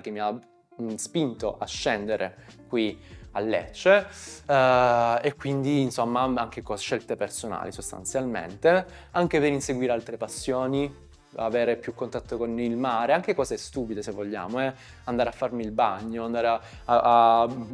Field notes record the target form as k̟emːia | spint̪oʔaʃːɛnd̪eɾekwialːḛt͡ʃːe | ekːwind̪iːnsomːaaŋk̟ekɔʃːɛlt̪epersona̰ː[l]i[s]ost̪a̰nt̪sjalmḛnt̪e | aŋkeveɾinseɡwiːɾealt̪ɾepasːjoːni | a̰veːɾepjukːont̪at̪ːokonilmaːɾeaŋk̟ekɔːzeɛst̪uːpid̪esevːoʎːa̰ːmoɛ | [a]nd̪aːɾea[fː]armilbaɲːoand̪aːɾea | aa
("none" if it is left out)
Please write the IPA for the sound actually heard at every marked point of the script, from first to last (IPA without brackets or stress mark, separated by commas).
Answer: l, s, a, fː